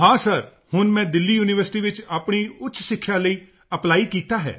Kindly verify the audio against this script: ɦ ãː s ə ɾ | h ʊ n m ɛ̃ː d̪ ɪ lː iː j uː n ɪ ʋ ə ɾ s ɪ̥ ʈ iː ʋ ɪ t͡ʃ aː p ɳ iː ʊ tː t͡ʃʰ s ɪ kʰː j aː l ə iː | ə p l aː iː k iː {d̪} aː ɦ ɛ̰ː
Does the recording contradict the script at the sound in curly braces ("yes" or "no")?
yes